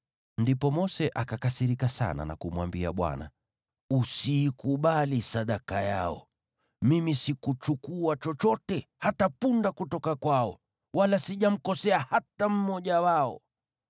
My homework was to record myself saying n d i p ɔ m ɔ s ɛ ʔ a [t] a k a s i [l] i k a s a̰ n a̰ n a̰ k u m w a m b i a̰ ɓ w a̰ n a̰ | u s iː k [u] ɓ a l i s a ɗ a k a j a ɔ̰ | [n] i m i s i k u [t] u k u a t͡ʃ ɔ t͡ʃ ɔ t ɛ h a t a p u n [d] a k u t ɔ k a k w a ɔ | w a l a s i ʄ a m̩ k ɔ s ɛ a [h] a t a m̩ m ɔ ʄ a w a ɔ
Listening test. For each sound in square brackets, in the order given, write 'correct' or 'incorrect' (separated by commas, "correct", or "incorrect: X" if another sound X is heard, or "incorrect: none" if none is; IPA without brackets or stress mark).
incorrect: k, incorrect: ɾ, correct, incorrect: m, incorrect: t͡ʃ, correct, correct